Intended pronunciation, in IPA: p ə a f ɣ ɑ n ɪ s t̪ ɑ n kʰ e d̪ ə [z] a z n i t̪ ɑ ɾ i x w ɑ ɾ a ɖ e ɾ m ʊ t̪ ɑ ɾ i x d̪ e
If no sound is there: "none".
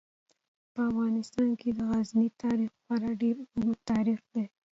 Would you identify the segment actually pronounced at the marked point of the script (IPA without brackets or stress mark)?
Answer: ɣ